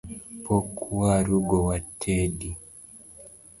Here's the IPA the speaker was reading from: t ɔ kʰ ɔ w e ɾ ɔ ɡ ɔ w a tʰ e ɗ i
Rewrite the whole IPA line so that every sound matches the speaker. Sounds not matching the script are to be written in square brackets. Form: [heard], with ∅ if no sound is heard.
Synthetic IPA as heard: [p] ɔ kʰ [u] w [a] ɾ [u] ɡ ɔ w a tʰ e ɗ i